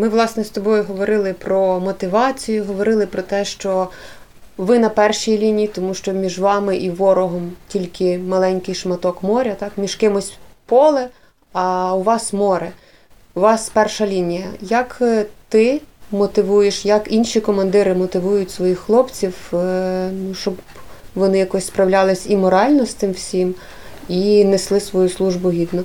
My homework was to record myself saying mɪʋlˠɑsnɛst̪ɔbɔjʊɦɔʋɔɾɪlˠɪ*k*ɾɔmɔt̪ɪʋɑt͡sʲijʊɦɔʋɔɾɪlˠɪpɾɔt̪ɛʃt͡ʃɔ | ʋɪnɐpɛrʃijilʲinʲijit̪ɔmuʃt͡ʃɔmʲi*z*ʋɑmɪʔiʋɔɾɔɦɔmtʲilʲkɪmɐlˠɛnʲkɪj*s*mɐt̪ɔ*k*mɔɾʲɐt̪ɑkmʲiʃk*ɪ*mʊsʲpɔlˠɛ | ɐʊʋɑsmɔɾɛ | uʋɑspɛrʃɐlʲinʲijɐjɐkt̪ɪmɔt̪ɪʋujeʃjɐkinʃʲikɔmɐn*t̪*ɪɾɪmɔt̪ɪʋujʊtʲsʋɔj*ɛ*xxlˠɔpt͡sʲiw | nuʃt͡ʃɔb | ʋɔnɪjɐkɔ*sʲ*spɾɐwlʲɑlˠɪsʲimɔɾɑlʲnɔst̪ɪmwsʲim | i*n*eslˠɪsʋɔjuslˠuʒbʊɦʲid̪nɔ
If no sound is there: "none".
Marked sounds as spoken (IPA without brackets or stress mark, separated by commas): p, ʒ, ʃ, k, ɪ, d̪, i, sʲ, n